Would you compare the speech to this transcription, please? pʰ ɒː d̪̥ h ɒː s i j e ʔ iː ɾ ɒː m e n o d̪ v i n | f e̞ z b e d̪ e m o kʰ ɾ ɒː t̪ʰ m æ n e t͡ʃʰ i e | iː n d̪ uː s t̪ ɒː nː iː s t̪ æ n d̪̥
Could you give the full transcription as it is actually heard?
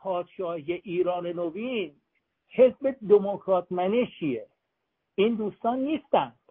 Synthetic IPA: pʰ ɒː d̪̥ ʃ ɒː h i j e ʔ iː ɾ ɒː n e n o v i n | h e̞ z b e d̪ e m o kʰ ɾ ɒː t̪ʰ m æ n e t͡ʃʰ i e | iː n d̪ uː s t̪ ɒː nː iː s t̪ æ n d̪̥